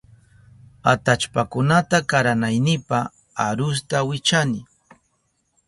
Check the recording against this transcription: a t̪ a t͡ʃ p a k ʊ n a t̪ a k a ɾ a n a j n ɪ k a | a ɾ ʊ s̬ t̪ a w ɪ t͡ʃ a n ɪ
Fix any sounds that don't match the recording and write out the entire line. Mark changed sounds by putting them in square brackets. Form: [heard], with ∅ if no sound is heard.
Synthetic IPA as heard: a t̪ a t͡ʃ p a k ʊ n a t̪ a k a ɾ a n a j n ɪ [p] a | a ɾ ʊ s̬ t̪ a w ɪ t͡ʃ a n ɪ